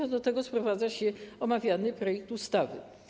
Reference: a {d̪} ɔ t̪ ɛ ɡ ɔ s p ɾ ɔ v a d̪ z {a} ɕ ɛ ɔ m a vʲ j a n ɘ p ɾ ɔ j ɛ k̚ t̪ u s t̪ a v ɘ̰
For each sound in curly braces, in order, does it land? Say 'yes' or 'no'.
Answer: yes, yes

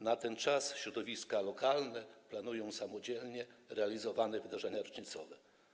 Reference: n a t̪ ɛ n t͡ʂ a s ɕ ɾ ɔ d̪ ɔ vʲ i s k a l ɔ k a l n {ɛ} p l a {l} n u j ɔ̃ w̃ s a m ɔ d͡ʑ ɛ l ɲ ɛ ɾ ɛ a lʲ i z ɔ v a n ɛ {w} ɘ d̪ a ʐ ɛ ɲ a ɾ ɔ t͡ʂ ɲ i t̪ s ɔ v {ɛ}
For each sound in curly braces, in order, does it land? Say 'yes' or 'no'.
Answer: yes, no, no, yes

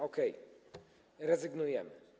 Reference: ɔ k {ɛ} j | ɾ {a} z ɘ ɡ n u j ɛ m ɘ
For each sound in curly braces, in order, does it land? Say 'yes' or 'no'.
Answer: yes, no

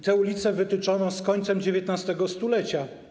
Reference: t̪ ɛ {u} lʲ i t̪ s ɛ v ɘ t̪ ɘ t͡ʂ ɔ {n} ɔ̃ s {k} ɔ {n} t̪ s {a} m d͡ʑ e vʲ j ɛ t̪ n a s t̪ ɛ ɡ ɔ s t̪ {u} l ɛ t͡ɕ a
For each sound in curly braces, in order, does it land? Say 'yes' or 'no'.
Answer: yes, yes, yes, no, no, yes

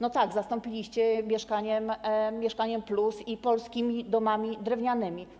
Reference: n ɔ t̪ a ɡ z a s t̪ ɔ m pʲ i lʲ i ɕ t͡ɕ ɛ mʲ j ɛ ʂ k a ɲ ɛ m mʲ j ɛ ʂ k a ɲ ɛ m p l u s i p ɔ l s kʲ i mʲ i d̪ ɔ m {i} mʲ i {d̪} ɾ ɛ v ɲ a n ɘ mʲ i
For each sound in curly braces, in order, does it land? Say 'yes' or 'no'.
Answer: no, yes

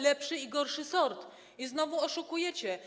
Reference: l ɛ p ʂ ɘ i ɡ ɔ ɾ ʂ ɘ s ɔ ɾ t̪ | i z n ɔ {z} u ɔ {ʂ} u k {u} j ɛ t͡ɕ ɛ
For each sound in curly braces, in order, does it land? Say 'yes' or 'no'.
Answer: no, yes, yes

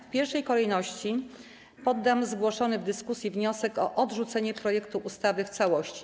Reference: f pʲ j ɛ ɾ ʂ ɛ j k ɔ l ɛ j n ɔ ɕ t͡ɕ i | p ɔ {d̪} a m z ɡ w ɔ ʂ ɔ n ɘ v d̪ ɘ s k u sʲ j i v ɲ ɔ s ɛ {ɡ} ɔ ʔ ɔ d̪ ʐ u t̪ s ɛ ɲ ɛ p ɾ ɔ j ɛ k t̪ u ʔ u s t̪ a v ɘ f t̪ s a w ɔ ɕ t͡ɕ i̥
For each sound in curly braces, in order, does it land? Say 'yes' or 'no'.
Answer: no, no

